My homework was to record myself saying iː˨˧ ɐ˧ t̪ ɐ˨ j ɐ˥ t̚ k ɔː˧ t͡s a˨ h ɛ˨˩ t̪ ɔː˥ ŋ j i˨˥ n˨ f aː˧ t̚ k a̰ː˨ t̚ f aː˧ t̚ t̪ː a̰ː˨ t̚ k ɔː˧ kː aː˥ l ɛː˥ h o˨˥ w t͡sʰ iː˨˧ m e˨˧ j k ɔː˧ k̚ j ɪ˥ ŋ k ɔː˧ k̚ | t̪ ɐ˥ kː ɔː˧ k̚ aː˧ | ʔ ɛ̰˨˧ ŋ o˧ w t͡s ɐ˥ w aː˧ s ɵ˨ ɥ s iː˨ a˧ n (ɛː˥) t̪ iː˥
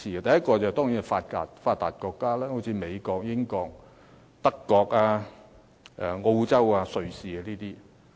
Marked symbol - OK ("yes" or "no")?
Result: no